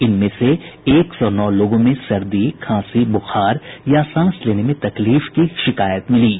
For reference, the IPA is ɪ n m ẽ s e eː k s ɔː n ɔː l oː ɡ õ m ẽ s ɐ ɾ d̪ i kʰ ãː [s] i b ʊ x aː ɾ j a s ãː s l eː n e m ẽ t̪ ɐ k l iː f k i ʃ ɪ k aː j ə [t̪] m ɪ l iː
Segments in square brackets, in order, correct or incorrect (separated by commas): correct, correct